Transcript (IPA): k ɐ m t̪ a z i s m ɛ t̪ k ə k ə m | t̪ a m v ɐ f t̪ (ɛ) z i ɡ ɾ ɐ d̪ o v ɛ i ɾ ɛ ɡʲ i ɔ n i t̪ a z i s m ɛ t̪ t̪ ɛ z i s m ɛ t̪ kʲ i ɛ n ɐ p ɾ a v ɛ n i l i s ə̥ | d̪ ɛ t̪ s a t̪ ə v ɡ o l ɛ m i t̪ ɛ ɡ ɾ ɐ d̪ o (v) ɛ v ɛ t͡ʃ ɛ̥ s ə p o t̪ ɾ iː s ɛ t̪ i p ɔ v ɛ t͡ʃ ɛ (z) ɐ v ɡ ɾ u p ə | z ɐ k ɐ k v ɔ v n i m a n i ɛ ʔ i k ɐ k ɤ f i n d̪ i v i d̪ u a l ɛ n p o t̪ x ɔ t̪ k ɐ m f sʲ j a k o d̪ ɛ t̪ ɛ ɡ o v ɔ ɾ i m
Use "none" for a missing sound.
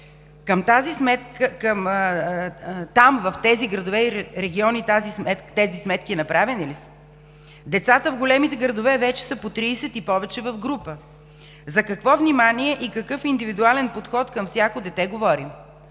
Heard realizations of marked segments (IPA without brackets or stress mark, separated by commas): ɛ, v, v